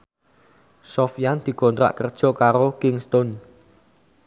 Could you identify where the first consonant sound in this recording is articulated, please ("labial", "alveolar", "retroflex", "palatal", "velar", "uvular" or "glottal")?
alveolar